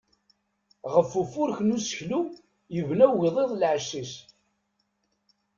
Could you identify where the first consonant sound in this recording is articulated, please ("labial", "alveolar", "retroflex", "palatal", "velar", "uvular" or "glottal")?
uvular